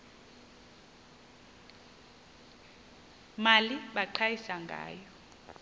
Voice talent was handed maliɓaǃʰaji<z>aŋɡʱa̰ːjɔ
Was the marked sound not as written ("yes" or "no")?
yes